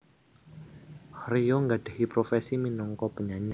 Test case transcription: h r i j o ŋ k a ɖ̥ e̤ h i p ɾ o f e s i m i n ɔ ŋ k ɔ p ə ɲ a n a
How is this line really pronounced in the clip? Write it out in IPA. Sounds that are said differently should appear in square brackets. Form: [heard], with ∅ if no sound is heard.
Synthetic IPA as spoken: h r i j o ŋ [ɡ] a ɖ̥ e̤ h i p ɾ o f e s i m i n ɔ ŋ k ɔ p ə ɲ a [ɲ] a